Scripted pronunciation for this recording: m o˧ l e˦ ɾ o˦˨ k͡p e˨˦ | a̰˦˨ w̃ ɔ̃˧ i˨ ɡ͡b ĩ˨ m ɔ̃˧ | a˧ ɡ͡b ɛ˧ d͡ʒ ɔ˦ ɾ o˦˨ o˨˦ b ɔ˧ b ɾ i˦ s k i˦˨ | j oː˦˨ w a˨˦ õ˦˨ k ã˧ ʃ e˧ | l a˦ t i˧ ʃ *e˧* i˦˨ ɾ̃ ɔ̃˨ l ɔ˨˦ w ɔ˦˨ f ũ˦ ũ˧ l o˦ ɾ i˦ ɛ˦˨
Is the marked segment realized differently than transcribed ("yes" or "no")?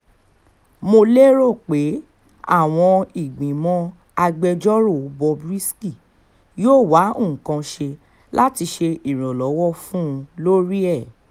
no